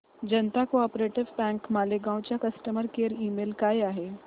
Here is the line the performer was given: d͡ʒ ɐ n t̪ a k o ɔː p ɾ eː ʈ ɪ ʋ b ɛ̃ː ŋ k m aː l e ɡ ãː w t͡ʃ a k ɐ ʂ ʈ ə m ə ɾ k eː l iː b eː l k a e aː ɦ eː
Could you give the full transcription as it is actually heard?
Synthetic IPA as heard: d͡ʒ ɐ n t̪ a k o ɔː p ɾ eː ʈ ɪ ʋ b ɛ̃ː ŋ k m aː l e ɡ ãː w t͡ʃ a k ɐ s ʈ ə m ə ɾ k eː ɾ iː m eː l k a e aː ɦ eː